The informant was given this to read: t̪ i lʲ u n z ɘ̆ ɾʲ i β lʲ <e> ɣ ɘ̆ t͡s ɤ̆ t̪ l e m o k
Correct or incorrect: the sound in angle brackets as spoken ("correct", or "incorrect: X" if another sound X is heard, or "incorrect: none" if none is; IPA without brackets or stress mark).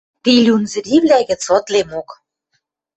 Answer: incorrect: æ